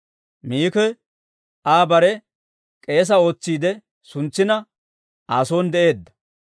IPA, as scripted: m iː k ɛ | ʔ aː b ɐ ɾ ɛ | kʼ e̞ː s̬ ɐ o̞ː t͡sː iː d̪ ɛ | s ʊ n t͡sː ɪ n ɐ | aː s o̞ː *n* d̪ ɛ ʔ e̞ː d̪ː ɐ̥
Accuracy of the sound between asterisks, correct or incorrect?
correct